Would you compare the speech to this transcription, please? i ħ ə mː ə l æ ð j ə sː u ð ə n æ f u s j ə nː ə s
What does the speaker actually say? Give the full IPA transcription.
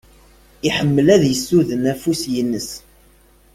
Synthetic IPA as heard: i ħ ə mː ə l æ ð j ə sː u ð ə n æ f u s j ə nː ə s